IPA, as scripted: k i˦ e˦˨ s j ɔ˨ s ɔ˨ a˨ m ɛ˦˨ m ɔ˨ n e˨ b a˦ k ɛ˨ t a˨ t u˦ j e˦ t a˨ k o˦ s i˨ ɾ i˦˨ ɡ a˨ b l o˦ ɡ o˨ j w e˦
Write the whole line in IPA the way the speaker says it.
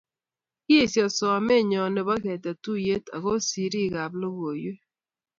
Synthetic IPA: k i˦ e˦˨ s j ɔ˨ s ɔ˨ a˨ m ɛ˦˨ ɲ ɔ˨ n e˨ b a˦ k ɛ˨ t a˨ t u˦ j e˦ t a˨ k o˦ s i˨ ɾ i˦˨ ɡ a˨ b l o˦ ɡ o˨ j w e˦